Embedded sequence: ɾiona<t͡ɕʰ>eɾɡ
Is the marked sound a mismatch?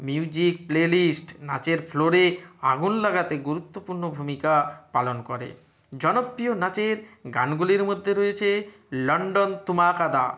yes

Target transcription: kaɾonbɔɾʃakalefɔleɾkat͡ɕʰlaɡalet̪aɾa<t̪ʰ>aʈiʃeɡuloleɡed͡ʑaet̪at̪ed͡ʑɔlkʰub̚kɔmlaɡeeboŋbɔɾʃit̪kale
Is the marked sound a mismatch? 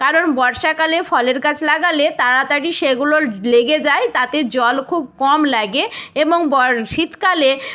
yes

